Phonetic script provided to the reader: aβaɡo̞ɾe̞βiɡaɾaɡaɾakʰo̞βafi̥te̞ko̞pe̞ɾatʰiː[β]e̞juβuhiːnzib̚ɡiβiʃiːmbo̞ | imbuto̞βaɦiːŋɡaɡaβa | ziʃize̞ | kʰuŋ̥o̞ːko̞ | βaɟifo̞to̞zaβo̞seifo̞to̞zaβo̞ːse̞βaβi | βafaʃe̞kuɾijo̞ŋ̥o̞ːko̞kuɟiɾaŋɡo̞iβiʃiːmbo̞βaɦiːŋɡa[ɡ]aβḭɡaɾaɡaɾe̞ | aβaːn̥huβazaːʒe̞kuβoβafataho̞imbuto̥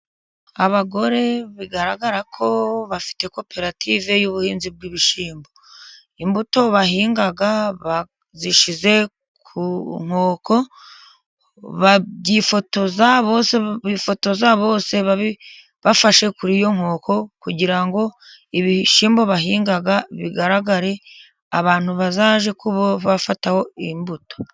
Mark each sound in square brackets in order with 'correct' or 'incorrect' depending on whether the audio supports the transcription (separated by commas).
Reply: incorrect, correct